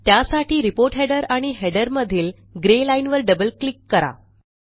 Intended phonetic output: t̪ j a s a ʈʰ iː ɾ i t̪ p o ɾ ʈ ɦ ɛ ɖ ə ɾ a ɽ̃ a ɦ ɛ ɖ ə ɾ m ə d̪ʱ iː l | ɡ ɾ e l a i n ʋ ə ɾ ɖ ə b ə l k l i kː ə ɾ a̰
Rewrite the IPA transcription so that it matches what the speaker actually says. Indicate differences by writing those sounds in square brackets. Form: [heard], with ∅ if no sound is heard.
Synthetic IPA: t̪ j a s a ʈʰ iː ɾ i [∅] p o ɾ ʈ ɦ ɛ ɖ ə ɾ a ɽ̃ [i] ɦ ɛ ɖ ə ɾ m ə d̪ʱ iː l | ɡ ɾ e l a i n ʋ ə ɾ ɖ ə b ə l k l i kː ə ɾ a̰